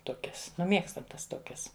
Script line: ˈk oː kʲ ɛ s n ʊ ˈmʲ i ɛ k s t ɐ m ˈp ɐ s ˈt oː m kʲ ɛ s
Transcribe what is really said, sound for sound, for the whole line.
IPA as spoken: ˈt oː kʲ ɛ s n ʊ ˈmʲ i ɛ k s t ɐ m ˈt ɐ s ˈt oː kʲ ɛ s